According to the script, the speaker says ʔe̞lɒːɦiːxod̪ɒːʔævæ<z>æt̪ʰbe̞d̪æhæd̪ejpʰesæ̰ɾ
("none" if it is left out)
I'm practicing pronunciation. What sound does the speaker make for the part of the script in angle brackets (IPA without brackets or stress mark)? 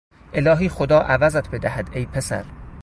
z